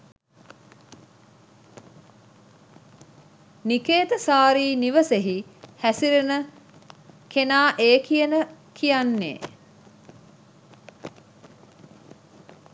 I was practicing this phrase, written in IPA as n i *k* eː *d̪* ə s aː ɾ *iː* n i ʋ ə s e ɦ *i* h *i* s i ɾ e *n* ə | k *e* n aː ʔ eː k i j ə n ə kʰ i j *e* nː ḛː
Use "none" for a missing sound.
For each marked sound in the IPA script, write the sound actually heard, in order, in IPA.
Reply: k, t̪, iː, i, æ, n, e, a

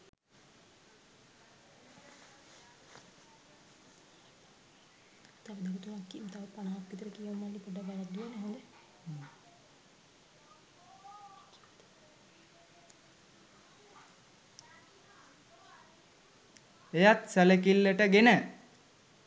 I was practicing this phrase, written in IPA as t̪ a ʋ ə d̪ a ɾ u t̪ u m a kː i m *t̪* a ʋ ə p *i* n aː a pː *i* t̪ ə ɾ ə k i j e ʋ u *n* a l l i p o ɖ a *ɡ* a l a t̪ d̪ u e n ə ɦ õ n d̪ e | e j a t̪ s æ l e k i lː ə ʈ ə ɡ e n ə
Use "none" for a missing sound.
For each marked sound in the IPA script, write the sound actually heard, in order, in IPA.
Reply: t̪, a, i, m, b

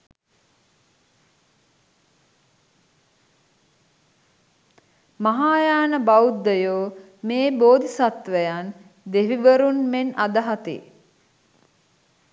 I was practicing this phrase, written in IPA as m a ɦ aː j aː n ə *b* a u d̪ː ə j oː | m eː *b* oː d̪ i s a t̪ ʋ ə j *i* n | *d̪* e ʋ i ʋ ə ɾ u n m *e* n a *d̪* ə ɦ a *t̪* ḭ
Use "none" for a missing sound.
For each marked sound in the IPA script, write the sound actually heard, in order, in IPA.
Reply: b, b, a, d̪, e, d̪, t̪

